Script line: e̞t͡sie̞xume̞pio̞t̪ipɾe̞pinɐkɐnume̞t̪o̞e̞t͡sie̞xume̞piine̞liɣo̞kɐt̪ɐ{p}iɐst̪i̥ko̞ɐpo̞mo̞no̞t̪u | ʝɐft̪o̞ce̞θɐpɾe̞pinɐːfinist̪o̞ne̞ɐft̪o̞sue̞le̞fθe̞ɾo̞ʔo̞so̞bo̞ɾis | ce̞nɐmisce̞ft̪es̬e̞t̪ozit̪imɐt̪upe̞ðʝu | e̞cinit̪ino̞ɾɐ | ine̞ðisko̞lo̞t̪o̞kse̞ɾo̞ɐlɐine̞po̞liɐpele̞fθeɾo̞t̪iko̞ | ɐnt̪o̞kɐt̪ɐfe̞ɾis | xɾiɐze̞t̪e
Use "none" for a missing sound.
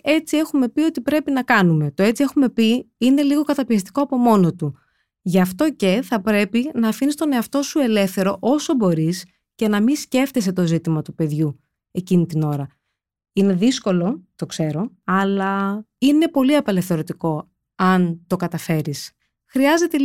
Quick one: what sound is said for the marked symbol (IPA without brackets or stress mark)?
p